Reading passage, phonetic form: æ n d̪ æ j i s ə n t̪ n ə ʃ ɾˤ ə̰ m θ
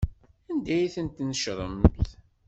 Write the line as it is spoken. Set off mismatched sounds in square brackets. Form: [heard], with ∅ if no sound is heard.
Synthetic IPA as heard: æ n d̪ æ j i [θ] ə n t̪ n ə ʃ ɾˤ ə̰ m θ